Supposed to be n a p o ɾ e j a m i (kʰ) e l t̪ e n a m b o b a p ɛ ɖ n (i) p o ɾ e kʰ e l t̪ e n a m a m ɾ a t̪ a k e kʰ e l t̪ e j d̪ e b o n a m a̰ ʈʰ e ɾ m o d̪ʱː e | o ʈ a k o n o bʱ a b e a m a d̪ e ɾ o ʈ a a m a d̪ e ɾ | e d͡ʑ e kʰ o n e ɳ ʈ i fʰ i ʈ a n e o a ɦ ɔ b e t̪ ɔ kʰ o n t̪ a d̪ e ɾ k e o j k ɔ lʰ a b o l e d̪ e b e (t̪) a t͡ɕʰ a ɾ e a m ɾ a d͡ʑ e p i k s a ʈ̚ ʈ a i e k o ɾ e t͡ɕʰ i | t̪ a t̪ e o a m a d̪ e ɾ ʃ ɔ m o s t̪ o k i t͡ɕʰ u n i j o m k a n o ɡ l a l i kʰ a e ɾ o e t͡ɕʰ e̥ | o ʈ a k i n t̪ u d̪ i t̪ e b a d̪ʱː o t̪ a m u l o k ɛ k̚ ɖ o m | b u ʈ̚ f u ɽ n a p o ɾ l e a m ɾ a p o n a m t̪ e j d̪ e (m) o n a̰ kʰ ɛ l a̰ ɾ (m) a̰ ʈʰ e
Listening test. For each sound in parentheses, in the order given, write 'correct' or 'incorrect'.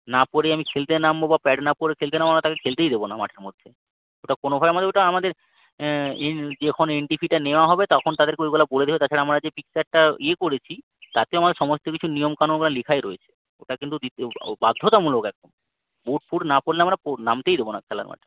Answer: correct, incorrect, correct, incorrect, correct

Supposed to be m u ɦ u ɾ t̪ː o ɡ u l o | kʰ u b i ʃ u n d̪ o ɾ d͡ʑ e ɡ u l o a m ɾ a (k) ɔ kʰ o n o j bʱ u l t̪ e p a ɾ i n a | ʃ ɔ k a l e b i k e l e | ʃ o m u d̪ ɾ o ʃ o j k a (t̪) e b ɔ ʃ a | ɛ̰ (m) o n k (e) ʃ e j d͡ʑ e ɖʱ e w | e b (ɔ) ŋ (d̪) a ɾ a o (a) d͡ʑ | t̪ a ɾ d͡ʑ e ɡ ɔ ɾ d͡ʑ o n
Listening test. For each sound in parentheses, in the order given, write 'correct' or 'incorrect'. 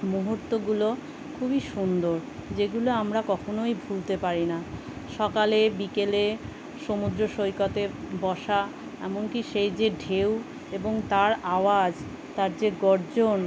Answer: correct, correct, correct, incorrect, incorrect, incorrect, correct

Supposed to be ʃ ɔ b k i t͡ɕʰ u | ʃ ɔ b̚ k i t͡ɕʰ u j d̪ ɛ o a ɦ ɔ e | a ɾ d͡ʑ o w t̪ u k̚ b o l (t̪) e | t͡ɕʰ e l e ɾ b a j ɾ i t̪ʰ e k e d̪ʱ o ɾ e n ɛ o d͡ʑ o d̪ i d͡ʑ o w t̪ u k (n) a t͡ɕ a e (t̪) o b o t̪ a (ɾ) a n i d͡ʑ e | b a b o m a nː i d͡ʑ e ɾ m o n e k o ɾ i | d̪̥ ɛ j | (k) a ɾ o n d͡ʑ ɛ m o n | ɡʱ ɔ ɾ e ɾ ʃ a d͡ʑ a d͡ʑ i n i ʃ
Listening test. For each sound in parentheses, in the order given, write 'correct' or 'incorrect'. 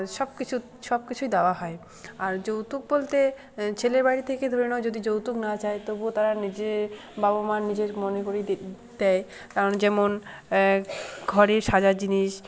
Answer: correct, correct, correct, correct, correct

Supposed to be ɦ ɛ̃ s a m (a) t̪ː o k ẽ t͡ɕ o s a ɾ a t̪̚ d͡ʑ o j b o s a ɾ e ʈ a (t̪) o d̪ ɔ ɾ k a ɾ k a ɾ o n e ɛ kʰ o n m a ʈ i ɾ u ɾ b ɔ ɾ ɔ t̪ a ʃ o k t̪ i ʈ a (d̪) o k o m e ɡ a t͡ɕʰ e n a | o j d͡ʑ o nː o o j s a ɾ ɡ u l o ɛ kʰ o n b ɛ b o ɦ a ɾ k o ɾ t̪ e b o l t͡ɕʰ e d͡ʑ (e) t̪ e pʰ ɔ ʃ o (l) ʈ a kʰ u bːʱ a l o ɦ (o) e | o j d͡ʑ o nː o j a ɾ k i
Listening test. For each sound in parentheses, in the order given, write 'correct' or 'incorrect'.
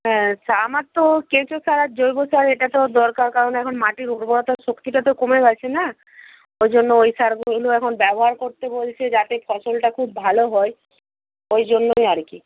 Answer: correct, correct, incorrect, incorrect, correct, incorrect

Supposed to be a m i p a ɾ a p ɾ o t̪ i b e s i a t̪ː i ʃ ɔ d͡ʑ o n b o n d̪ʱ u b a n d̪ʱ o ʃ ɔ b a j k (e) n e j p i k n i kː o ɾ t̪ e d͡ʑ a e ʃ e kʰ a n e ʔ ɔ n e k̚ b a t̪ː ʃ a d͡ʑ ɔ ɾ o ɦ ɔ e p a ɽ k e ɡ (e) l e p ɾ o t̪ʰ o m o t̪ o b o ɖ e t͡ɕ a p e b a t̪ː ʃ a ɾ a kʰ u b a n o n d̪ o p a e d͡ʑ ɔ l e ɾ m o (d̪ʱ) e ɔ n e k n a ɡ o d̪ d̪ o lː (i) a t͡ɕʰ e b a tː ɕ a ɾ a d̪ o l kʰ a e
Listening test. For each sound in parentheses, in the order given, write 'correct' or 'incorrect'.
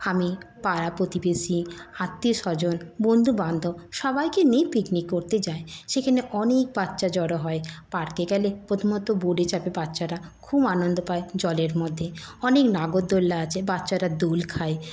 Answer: correct, incorrect, incorrect, incorrect

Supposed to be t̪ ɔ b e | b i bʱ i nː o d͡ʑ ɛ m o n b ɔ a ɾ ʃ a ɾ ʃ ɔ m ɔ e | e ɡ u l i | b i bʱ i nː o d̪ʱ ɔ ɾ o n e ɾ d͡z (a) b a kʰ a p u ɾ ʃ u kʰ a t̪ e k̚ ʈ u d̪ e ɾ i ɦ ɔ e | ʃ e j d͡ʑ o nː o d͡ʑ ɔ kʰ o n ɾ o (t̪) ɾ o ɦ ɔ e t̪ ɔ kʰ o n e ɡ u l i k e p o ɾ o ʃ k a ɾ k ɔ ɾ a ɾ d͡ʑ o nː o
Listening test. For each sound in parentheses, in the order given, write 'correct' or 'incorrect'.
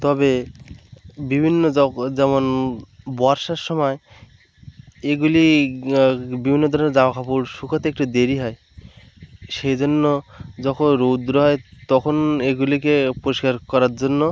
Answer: correct, incorrect

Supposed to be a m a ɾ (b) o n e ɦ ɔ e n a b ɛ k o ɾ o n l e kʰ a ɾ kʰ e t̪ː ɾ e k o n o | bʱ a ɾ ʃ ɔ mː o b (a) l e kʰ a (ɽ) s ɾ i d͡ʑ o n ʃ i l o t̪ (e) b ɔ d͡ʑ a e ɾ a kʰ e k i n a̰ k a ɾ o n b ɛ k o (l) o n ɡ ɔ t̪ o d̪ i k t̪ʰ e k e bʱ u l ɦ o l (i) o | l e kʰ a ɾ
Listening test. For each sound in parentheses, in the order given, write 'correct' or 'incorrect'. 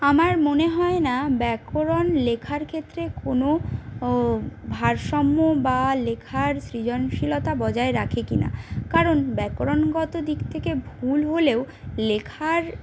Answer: incorrect, correct, incorrect, incorrect, incorrect, incorrect

